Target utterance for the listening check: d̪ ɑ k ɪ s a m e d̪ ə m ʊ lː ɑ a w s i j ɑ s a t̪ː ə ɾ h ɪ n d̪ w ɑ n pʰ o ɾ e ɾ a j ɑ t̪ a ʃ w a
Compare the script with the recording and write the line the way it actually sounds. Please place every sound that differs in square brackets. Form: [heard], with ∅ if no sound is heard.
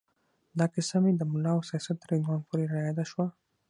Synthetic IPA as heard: d̪ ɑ k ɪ s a m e d̪ ə m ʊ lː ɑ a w s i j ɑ s a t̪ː ə ɾ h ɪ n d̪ w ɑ n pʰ o ɾ e ɾ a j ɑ [d̪] a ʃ w a